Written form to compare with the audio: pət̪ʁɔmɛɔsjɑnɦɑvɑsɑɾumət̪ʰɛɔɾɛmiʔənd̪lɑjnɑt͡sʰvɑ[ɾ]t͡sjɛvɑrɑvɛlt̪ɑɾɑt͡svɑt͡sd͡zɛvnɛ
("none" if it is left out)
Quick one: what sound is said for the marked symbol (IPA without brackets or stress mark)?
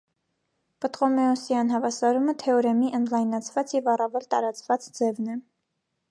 none